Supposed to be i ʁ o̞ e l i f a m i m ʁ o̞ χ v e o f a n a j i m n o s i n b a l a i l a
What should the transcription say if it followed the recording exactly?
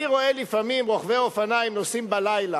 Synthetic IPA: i ʁ o̞ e l i f a m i m ʁ o̞ χ v e o f a n a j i m n o s i m b a l a j l a